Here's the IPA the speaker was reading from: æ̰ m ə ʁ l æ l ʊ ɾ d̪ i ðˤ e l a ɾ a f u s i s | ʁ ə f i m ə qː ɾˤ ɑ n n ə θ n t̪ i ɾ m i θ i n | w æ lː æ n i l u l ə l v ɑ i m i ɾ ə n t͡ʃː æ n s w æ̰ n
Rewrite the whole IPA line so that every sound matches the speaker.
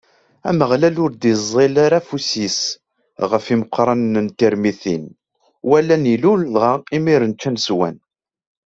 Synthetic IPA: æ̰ m ə ʁ l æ l ʊ ɾ d̪ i zˤ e l a ɾ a f u s i s | ʁ ə f i m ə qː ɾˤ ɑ n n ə n t̪ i ɾ m i θ i n | w æ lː æ n i l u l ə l ʁ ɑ i m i ɾ ə n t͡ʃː æ n s w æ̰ n

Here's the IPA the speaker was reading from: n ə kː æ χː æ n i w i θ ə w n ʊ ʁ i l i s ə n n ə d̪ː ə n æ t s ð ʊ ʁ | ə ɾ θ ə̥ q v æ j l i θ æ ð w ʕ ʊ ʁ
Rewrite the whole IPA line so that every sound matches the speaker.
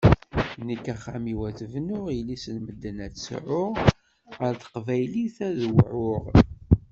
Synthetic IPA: n ə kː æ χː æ m i w æ θ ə v n ʊ ʁ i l i s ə n m ə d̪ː ə n æ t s ʕ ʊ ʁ | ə ɾ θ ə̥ q v æ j l i θ æ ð w ʕ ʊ ʁ

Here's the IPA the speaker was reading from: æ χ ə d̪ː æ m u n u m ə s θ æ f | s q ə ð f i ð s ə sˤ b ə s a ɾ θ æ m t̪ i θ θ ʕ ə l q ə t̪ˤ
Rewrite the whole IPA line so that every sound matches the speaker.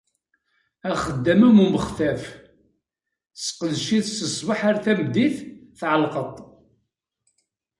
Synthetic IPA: æ χ ə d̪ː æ m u m u m ə χ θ æ f | s q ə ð ʃ i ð s ə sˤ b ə ħ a ɾ θ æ m d̪ i θ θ ʕ ə l q ə t̪ˤ

